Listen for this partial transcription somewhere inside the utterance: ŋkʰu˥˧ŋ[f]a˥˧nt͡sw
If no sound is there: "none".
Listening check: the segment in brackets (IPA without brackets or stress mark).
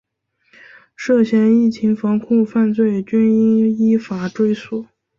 f